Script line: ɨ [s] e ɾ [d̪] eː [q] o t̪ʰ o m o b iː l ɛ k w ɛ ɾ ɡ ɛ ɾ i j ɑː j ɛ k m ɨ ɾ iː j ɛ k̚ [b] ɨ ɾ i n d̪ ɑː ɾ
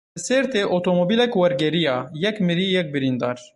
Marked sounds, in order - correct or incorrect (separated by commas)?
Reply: correct, incorrect, incorrect, correct